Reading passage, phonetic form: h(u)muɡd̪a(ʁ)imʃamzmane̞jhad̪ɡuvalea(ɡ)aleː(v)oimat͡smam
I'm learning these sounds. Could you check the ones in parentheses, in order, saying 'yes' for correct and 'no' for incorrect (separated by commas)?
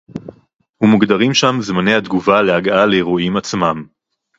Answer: yes, yes, yes, no